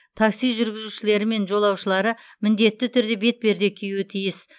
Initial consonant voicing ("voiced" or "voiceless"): voiceless